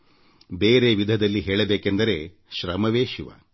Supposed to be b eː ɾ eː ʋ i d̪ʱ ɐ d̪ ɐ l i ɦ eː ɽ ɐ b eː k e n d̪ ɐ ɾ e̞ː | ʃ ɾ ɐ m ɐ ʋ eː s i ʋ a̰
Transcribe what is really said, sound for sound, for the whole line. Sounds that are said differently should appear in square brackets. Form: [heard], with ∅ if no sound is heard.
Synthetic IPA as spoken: b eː ɾ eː ʋ i d̪ʱ ɐ d̪ ɐ [lː] i ɦ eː [ɭ] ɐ b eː k e n d̪ ɐ ɾ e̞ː | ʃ ɾ ɐ m ɐ ʋ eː [ʃ] i ʋ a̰